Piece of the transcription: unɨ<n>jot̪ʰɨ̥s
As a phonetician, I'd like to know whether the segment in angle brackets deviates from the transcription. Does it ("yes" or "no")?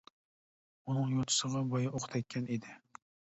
yes